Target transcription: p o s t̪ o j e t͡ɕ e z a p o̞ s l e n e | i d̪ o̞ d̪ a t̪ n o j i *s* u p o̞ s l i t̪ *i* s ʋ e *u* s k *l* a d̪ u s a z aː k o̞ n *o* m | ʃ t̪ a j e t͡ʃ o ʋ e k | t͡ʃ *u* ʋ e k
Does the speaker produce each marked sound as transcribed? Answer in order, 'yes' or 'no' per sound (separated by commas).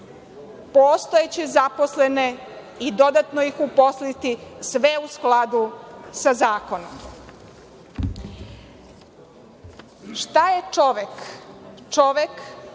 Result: no, yes, yes, yes, yes, no